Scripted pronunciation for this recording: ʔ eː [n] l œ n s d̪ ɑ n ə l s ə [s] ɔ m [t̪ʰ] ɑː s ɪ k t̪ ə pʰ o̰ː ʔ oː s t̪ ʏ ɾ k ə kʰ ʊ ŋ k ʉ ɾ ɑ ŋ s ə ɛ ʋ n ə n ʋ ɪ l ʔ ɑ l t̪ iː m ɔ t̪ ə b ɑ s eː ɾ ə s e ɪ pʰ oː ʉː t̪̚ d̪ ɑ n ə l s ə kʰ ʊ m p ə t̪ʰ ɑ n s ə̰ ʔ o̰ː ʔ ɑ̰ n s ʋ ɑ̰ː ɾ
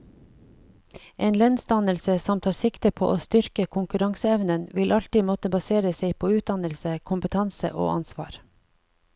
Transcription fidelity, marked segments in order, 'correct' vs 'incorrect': correct, correct, correct

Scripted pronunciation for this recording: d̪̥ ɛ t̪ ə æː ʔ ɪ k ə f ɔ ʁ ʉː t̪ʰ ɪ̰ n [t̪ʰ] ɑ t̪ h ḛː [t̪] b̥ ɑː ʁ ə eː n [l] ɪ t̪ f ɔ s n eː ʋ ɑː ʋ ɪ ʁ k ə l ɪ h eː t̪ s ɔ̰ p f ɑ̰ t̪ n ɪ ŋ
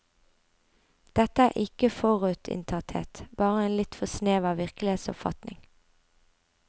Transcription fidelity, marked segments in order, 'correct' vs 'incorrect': correct, correct, correct

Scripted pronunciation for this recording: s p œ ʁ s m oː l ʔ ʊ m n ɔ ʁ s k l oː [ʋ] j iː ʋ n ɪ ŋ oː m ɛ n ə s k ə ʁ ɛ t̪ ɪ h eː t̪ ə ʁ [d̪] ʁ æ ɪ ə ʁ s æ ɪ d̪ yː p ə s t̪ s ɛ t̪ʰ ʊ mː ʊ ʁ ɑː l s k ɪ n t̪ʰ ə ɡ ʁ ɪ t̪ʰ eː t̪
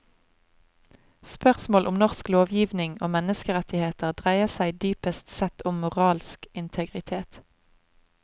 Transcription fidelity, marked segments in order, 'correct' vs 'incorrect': correct, correct

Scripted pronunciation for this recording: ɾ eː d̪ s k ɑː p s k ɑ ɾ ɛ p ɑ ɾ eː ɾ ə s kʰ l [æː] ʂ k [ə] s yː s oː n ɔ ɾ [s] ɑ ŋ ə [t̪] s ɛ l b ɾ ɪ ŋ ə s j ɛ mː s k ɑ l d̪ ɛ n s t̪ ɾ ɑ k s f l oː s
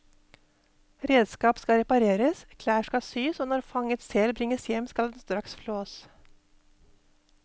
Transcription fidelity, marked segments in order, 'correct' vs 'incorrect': correct, incorrect: ɑ, incorrect: f, correct

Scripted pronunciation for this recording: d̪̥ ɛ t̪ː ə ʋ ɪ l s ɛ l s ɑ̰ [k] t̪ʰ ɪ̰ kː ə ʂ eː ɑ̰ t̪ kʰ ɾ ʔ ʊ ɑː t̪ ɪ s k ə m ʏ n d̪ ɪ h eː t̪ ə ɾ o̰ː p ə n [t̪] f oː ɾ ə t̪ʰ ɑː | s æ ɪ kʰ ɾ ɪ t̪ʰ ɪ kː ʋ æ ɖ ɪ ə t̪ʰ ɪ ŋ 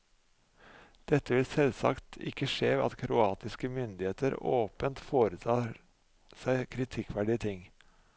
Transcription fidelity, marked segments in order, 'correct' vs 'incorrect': correct, correct

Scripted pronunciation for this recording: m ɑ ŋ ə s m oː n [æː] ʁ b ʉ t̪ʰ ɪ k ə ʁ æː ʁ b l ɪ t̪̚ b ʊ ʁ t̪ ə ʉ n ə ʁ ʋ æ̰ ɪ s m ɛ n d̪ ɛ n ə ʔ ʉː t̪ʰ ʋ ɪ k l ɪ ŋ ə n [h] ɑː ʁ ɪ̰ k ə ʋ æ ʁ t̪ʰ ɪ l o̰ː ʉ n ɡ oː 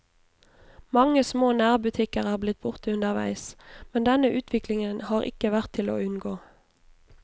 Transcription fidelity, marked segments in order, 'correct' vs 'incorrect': correct, correct

